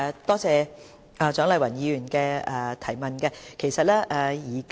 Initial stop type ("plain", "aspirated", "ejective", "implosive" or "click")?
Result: plain